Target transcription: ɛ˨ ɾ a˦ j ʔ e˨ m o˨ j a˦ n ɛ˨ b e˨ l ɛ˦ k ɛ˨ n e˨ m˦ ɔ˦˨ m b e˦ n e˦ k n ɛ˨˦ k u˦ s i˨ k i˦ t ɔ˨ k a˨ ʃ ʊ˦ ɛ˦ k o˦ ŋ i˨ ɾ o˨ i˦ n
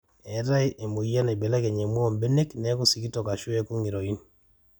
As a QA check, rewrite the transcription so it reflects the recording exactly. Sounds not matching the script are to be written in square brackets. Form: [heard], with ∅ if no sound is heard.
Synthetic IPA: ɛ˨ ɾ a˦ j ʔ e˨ m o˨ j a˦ n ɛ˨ b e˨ l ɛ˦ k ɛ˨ [ɲ] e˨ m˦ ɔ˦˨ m b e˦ n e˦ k n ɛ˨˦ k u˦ s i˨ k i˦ t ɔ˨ k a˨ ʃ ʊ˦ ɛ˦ k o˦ ŋ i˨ ɾ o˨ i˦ n

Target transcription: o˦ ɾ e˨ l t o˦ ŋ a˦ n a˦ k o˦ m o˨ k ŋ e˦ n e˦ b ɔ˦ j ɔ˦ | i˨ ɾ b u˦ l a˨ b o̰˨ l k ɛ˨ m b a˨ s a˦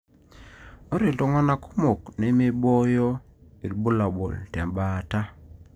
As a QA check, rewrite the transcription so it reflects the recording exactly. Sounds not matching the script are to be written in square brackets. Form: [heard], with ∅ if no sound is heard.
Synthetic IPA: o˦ ɾ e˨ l t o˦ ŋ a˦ n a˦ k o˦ m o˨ k [n] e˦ [m] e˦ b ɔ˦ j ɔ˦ | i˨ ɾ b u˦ l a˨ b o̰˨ l [t] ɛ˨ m b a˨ [t] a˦

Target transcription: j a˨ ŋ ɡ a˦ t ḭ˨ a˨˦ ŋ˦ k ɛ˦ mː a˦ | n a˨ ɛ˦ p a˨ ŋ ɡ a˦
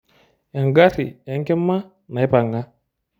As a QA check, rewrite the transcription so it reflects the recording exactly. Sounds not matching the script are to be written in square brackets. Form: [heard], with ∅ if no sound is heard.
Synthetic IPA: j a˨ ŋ ɡ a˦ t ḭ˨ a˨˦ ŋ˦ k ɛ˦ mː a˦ | n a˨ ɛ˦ p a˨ ŋ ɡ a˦

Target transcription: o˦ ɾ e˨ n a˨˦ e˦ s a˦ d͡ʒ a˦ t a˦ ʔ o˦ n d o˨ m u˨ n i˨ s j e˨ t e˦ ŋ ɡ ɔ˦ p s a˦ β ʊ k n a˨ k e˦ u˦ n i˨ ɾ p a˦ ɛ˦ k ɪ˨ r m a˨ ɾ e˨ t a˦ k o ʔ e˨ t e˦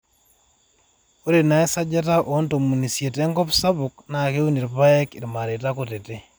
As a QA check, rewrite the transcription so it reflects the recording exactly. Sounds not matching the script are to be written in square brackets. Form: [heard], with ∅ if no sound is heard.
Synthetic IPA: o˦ ɾ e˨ n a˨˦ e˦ s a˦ d͡ʒ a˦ t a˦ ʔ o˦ n [t] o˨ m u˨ n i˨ s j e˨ t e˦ ŋ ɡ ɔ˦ p s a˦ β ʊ k n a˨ k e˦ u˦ n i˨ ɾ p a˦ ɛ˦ k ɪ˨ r m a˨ ɾ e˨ t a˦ k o [t] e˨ t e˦

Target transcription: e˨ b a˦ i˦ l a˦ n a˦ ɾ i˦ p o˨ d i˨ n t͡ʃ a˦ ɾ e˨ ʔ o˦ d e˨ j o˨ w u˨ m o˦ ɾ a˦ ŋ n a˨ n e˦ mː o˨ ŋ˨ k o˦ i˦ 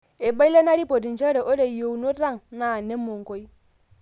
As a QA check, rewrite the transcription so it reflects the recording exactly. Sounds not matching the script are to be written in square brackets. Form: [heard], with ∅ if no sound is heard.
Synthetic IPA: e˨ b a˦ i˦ l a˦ n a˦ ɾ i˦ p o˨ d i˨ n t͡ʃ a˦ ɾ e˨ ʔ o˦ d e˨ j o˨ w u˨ [n] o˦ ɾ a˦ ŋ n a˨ n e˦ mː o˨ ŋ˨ k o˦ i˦

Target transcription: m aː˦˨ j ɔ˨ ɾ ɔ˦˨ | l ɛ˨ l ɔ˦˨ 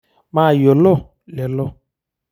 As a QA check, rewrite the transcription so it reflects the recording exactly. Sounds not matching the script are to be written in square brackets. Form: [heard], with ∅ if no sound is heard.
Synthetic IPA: m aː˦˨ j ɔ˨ [l] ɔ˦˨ | l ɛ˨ l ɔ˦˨

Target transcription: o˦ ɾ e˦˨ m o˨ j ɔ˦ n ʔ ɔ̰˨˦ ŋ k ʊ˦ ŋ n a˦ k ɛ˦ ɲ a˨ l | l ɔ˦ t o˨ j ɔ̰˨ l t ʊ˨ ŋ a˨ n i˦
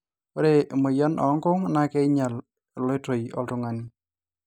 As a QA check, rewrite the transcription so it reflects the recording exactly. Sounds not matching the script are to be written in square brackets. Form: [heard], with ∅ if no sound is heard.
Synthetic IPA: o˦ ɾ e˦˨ m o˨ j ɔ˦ n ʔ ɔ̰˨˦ ŋ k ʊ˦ ŋ n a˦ k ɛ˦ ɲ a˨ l | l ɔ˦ t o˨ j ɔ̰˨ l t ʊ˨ ŋ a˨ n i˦

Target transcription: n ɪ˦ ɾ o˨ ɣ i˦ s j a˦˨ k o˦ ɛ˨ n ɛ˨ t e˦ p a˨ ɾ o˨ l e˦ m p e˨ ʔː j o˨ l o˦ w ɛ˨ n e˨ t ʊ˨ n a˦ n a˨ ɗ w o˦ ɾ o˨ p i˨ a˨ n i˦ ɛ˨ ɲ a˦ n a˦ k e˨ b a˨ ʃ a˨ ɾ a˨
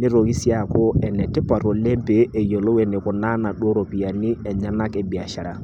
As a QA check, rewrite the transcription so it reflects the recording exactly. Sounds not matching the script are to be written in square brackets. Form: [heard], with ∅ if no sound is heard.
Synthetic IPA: n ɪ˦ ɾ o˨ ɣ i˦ s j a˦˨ k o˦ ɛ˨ n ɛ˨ t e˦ p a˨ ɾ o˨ l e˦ m p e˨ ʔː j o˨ l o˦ w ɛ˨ n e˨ [k] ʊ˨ n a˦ n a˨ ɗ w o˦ ɾ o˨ p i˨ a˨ n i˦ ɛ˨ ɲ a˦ n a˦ k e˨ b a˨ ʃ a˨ ɾ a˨

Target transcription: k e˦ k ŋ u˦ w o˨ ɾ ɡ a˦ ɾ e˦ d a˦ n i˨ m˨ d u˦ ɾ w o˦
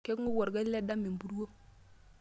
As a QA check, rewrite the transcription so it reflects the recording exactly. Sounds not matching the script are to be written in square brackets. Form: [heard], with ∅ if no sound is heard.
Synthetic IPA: k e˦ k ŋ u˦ w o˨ ɾ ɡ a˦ [l] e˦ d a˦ [m] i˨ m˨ [b] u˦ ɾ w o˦

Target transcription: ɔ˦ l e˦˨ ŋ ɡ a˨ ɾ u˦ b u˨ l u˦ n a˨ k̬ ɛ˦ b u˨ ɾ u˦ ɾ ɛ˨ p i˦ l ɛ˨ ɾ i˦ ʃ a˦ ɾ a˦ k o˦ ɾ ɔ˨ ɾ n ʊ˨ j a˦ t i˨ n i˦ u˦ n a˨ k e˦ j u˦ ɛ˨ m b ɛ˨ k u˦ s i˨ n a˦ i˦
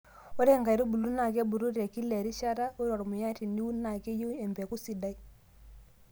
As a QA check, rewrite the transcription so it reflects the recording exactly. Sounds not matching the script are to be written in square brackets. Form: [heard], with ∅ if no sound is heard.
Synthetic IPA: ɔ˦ [ɾ] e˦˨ ŋ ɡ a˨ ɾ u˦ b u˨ l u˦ n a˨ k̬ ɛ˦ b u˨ ɾ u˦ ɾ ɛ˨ [k] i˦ l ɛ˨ ɾ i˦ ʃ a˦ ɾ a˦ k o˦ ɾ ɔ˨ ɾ [m] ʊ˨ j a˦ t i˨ n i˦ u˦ n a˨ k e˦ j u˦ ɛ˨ m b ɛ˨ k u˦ s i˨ [d] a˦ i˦

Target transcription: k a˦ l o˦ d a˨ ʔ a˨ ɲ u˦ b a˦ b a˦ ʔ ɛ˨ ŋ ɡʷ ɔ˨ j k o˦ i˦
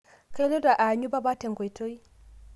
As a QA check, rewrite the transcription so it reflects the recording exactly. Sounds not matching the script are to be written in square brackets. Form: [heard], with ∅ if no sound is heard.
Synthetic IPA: k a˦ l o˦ d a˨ ʔ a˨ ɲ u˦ b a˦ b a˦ [t] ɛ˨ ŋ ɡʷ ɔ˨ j [t] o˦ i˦

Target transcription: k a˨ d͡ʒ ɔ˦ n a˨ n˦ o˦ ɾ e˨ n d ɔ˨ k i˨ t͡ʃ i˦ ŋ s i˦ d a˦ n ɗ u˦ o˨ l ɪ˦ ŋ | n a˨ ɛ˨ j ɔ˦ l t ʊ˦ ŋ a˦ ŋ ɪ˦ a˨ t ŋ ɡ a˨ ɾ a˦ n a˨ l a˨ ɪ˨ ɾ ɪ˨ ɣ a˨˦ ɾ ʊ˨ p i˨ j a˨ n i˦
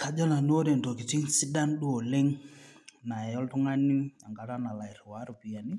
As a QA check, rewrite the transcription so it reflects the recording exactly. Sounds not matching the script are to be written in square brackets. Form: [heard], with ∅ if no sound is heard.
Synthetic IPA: k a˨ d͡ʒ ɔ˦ n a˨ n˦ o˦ ɾ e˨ n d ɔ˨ k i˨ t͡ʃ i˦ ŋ s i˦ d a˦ n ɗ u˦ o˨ l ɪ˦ ŋ | n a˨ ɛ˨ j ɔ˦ l t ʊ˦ ŋ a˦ [n] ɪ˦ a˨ [∅] ŋ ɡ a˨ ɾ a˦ n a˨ l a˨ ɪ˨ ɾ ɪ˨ [w] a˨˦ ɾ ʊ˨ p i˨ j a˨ n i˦

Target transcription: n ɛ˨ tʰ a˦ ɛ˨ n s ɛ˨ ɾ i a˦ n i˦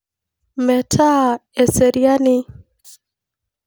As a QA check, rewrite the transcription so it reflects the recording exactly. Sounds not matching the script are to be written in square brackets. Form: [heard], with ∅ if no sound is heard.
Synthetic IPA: [m] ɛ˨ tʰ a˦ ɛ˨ [∅] s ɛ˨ ɾ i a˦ n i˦

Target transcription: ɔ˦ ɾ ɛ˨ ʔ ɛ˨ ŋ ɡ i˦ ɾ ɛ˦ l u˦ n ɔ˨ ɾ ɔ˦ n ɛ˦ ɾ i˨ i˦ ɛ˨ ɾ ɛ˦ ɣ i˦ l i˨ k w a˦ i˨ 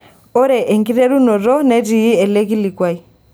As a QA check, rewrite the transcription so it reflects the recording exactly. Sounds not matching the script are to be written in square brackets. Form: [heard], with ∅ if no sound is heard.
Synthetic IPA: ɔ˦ ɾ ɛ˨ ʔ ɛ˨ ŋ ɡ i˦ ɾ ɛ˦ [ɾ] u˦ n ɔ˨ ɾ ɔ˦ n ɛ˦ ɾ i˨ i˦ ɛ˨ [l] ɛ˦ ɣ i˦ l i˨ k w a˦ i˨

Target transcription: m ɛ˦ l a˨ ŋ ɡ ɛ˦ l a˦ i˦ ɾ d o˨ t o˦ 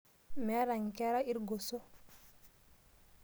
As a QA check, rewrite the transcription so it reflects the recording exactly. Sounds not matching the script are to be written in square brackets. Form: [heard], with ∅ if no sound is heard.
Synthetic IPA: m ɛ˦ [ɾ] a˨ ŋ [k] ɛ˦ [ɾ] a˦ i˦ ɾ [ɡ] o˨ [s] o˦

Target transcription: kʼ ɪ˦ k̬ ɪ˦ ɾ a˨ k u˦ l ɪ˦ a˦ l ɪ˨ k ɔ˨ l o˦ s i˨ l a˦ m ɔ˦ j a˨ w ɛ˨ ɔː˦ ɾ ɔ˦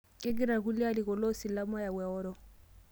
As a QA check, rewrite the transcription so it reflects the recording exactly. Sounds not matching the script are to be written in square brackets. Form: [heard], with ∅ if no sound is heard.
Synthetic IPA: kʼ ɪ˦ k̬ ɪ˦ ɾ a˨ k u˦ l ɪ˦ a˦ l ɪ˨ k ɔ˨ l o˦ s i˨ l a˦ m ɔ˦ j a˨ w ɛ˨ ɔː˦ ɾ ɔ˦

